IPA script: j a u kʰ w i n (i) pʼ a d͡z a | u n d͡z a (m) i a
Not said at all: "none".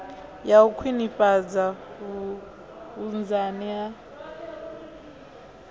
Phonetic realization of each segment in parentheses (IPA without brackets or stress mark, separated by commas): i, n